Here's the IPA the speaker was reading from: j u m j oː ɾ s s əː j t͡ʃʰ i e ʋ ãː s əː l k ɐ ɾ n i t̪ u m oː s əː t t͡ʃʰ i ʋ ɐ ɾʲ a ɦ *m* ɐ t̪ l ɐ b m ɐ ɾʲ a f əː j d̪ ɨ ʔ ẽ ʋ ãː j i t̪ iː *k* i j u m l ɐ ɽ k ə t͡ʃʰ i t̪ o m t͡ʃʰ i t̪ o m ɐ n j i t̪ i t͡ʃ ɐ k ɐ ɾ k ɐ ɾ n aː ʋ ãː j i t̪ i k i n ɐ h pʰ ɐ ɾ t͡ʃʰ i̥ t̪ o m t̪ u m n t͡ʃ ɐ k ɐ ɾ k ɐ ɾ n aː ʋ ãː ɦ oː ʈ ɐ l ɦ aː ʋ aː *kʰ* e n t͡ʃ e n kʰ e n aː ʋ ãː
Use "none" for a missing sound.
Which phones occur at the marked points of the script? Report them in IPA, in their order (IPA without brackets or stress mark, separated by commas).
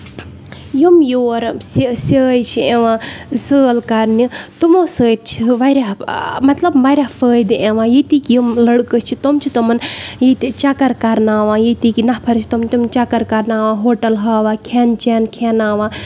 m, k, kʰ